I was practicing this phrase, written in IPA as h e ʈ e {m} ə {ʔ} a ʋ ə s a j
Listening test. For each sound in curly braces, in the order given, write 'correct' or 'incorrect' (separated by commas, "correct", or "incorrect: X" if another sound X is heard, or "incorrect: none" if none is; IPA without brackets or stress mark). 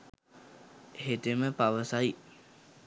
correct, incorrect: p